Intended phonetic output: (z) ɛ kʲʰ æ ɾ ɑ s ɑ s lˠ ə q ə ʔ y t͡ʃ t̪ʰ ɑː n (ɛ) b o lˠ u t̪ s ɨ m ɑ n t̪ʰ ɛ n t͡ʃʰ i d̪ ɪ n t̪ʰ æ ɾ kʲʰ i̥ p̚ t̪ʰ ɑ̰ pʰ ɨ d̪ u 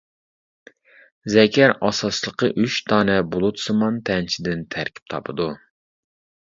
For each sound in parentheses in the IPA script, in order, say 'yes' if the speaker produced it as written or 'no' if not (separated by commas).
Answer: yes, yes